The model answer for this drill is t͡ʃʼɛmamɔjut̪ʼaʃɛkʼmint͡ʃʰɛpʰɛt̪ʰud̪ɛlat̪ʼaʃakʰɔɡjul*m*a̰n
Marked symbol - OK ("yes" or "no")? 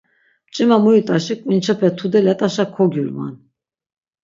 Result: yes